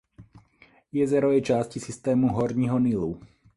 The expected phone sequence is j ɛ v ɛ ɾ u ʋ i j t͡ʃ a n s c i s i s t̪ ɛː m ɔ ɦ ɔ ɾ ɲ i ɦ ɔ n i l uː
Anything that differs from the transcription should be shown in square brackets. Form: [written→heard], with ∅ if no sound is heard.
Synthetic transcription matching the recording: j ɛ [v→z] ɛ ɾ [u→ɔ] ʋ [i→ɛ] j t͡ʃ a [n→∅] s c i s i s t̪ ɛː m [ɔ→u] ɦ ɔ ɾ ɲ i ɦ ɔ n i l [uː→u]